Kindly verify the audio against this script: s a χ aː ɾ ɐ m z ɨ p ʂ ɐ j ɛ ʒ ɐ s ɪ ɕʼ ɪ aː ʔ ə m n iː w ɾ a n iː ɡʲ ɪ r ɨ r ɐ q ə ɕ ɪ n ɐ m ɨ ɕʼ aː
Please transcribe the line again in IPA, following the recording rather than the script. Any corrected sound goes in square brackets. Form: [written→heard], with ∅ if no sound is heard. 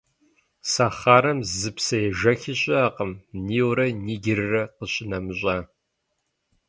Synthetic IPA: s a χ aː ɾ ɐ m z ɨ p [ʂ→s] ɐ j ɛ ʒ ɐ [s→x] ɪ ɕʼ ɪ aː [ʔ→q] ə m n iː w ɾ [a→ɐ] n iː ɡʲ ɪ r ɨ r ɐ q ə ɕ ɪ n ɐ m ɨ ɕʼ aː